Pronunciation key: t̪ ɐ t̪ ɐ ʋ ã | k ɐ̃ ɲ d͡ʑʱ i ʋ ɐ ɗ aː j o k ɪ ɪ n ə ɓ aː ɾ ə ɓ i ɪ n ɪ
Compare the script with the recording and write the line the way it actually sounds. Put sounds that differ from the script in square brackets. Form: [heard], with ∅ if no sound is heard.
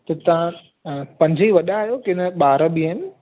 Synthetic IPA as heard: t̪ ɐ t̪ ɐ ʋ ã | [p] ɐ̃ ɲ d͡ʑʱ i ʋ ɐ ɗ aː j o k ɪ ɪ n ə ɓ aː ɾ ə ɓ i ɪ n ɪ

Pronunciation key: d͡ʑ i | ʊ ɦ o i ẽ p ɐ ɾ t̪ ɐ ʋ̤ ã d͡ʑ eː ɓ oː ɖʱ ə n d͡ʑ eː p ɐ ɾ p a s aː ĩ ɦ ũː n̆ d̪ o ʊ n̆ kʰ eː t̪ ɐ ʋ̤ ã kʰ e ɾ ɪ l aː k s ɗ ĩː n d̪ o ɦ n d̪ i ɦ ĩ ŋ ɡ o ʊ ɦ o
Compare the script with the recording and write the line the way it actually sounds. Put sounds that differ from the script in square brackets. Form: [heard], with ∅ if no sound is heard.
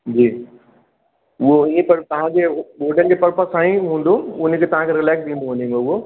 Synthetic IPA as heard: d͡ʑ [iː] | ʊ ɦ o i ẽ p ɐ ɾ t̪ ɐ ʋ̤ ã d͡ʑ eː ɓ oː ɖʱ ə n d͡ʑ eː p ɐ ɾ p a s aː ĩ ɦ ũː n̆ d̪ o ʊ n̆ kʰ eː t̪ ɐ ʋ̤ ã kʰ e ɾ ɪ l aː k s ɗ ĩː n d̪ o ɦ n d̪ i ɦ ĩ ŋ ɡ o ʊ ɦ o

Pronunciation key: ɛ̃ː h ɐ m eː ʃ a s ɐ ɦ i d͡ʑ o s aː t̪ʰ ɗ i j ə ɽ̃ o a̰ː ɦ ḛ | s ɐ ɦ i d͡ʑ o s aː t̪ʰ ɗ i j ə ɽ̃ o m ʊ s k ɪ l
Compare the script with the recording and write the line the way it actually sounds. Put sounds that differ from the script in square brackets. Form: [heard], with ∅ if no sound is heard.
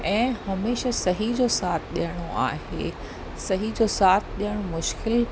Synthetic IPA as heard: ɛ̃ː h ɐ m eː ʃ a s ɐ ɦ i d͡ʑ o s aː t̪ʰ ɗ i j ə ɽ̃ o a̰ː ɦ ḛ | s ɐ ɦ i d͡ʑ o s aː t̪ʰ ɗ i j ə ɽ̃ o m ʊ [ʃ] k ɪ l

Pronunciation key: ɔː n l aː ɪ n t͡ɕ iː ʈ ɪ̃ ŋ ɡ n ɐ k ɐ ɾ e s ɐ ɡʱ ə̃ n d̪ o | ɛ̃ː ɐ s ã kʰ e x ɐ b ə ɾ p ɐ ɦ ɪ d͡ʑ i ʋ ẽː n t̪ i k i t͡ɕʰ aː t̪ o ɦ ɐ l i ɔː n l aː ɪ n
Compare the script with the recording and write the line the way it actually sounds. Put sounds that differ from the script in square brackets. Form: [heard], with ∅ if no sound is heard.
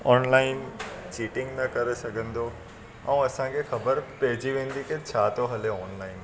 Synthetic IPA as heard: ɔː n l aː ɪ n t͡ɕ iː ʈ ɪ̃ ŋ ɡ n ɐ k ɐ ɾ e s ɐ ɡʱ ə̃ n d̪ o | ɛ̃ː ɐ s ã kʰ e x ɐ b ə ɾ p ɐ ɦ ɪ d͡ʑ i ʋ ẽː n [d̪] i k [e] t͡ɕʰ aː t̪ o ɦ ɐ l [e] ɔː n l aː ɪ n

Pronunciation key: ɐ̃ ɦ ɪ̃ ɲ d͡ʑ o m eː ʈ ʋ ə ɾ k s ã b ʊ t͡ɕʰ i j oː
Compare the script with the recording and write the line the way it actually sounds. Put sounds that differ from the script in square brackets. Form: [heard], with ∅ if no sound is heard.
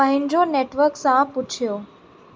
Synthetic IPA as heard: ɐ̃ ɦ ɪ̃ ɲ d͡ʑ o [n] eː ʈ ʋ ə ɾ k s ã [p] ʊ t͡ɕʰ i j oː

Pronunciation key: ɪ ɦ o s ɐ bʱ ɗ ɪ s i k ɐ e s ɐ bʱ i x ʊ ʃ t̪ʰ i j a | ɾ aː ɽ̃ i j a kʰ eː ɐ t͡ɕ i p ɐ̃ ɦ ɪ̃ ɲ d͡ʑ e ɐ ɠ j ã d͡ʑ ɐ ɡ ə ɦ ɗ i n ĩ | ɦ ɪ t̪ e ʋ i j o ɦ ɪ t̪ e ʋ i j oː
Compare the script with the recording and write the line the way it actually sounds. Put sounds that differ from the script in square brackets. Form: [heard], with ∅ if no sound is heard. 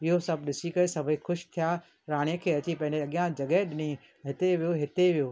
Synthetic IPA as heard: ɪ ɦ o s ɐ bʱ ɗ ɪ s i k ɐ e s ɐ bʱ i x ʊ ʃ t̪ʰ i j a | ɾ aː ɽ̃ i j [ə] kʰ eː ɐ t͡ɕ i p ɐ̃ ɦ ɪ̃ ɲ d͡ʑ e ɐ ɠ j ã d͡ʑ ɐ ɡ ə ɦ ɗ [ɪ] n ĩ | ɦ ɪ t̪ e ʋ i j o ɦ ɪ t̪ e ʋ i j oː

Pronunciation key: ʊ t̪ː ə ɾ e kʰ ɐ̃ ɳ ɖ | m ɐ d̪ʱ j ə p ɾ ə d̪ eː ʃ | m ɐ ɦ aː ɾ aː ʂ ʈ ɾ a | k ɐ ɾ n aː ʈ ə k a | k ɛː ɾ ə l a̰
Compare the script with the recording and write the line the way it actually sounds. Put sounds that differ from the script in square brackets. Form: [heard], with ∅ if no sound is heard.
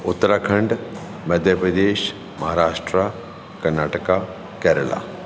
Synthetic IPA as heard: ʊ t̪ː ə ɾ [a] kʰ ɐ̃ ɳ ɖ | m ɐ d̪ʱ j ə p ɾ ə d̪ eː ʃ | m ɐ ɦ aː ɾ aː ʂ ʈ ɾ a | k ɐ ɾ n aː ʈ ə k a | k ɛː ɾ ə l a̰

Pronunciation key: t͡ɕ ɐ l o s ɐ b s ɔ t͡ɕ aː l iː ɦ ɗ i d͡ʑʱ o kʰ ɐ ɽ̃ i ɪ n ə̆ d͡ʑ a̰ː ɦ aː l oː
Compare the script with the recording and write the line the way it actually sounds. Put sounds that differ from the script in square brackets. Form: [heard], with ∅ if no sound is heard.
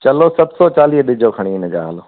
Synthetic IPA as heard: t͡ɕ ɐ l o s ɐ b s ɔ t͡ɕ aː l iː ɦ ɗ [ɪ] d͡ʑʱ o kʰ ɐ ɽ̃ i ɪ n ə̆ d͡ʑ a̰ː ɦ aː l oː

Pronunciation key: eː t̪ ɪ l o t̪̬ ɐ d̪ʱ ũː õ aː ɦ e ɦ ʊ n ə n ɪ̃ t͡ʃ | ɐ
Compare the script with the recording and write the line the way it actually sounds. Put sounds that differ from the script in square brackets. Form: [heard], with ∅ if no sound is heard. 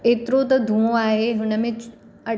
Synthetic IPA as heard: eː t̪ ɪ [ɾ] o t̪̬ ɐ d̪ʱ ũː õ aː ɦ e ɦ ʊ n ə [m] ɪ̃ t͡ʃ | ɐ

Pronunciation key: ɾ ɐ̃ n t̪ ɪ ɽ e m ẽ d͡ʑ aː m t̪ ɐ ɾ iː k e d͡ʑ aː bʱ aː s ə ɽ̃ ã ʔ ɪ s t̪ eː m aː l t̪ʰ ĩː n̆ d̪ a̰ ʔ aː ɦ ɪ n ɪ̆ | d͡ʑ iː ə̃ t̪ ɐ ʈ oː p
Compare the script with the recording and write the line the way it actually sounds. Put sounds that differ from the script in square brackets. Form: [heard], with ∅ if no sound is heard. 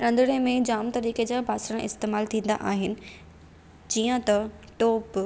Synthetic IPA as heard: ɾ ɐ̃ n [d̪] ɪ ɽ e m ẽ d͡ʑ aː m t̪ ɐ ɾ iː k e d͡ʑ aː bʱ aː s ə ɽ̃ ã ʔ ɪ s t̪ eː m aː l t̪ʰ ĩː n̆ d̪ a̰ ʔ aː ɦ ɪ n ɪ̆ | d͡ʑ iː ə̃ t̪ ɐ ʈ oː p

